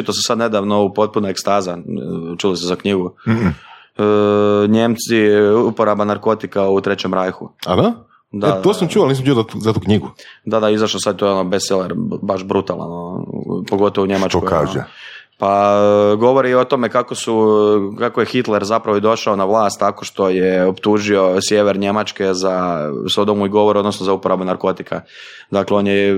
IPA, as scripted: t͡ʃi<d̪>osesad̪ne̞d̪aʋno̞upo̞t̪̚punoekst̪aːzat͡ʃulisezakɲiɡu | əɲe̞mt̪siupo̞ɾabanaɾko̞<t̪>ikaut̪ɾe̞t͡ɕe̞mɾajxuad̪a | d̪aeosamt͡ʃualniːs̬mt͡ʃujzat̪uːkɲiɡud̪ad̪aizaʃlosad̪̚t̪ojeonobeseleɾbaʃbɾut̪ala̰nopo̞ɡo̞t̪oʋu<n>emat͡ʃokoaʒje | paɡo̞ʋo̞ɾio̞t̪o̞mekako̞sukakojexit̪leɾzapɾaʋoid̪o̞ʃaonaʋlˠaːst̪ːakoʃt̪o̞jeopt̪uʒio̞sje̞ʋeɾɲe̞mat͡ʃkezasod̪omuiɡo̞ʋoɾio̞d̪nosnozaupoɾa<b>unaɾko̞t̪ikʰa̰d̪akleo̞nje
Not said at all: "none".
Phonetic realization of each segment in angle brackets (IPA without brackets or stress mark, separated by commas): t̪, t̪, ɲ, b